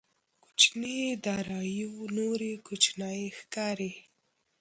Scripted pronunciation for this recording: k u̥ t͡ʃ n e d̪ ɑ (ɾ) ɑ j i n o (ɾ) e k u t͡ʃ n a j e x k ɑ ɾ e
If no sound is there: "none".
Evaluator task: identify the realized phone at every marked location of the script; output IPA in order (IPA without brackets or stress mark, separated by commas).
ɾ, ɾ